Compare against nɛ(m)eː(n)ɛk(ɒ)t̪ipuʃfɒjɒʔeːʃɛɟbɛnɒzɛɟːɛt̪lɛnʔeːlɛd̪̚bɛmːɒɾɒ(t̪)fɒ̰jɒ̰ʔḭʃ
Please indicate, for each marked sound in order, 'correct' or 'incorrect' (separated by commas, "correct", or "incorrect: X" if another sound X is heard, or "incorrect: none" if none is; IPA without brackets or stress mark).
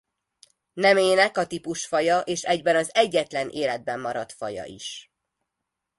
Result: correct, correct, correct, correct